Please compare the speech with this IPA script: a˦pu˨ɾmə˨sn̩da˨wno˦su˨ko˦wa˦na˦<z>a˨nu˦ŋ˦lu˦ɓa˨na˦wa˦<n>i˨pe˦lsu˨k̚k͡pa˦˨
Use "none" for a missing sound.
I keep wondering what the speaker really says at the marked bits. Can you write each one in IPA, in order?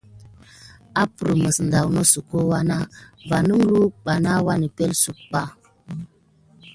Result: v, n

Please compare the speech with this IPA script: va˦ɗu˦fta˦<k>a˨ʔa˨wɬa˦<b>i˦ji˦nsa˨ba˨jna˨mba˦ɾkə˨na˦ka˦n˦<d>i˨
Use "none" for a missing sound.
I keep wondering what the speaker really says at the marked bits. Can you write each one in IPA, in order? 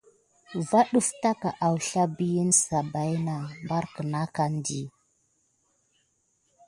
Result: k, b, d

